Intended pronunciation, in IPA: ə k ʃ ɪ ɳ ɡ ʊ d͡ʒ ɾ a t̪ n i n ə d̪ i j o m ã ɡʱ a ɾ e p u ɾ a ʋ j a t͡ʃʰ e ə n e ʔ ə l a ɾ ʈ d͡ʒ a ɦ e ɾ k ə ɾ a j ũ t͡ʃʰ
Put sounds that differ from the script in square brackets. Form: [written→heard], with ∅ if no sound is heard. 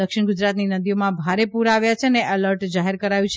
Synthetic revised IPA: ə k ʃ ɪ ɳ ɡ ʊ d͡ʒ ɾ a t̪ n i n ə d̪ i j o m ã [ɡʱ→bʱ] a ɾ e p u ɾ a ʋ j a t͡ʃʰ e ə n e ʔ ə l [a→ə] ɾ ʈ d͡ʒ a ɦ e ɾ k ə ɾ a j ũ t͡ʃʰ